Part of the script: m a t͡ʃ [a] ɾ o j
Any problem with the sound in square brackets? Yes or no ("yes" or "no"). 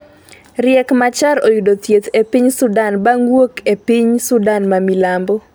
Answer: no